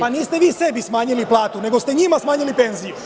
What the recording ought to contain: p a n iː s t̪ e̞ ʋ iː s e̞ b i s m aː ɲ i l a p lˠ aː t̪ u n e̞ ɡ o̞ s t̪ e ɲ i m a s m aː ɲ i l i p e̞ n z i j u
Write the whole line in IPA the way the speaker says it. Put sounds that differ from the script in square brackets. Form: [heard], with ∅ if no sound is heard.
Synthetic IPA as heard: p a n iː s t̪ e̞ ʋ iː s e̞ b i s m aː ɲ i l [i] p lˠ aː t̪ u n e̞ ɡ o̞ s t̪ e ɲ i m a s m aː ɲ i l i p e̞ n z i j u